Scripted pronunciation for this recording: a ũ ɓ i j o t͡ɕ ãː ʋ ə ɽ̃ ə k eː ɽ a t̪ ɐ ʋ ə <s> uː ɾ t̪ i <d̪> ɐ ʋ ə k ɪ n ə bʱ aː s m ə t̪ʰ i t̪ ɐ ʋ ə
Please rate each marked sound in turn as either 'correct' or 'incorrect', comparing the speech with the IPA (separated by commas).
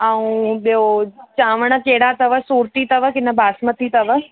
correct, incorrect